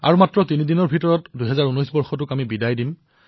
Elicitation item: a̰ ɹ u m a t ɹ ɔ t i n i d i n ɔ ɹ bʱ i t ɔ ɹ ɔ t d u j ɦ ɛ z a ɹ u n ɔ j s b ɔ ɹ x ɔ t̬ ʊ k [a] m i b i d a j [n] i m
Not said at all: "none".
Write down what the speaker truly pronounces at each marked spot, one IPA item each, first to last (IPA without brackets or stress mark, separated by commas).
a, d